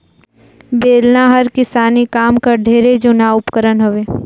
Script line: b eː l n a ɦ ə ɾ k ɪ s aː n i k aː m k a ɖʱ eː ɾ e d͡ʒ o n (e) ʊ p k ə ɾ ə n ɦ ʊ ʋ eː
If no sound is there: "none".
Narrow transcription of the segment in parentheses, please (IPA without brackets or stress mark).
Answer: a